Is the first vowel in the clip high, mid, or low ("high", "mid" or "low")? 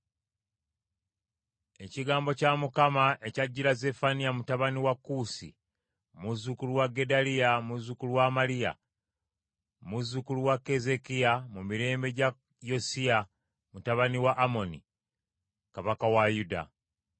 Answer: mid